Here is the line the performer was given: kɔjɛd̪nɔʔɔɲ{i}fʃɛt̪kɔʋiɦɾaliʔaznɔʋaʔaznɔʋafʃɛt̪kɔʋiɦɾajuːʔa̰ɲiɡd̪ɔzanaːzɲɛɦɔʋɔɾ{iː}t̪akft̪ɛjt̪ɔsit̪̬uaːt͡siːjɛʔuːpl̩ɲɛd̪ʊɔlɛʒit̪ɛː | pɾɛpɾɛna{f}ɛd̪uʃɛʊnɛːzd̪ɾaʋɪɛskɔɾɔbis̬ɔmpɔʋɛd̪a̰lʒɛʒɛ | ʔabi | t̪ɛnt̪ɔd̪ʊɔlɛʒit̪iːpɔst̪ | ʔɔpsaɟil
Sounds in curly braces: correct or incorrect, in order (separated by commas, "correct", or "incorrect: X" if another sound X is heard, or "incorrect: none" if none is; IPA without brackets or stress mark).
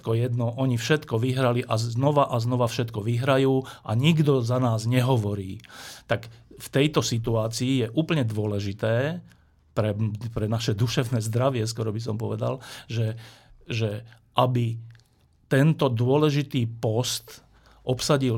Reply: correct, correct, incorrect: ʃ